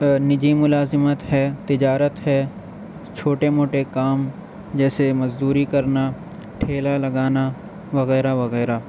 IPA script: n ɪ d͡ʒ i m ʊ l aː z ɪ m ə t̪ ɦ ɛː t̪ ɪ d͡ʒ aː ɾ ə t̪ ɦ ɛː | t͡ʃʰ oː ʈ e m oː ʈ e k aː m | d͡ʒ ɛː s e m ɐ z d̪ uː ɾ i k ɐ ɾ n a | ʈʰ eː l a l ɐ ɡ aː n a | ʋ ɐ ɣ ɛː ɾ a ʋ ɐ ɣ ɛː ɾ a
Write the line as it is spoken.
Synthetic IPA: n ɪ d͡ʒ i m ʊ l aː z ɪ m ə t̪ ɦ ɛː t̪ ɪ d͡ʒ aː ɾ ə t̪ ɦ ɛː | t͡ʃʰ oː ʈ e m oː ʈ e k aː m | d͡ʒ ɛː s e m ɐ z d̪ uː ɾ i k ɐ ɾ n a | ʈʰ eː l a l ɐ ɡ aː n a | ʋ ɐ ɣ ɛː ɾ a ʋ ɐ ɣ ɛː ɾ a